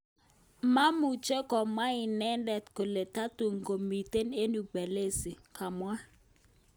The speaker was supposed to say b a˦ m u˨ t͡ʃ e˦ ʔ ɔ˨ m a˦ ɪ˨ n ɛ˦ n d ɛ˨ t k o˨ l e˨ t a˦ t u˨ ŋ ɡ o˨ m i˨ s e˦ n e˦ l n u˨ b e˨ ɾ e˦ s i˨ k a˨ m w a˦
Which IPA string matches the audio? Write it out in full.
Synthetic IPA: m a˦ m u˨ t͡ʃ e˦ k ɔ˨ m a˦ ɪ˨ n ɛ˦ n d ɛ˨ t k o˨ l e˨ t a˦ t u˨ ŋ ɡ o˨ m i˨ t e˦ n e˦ n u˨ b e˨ l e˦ s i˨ k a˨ m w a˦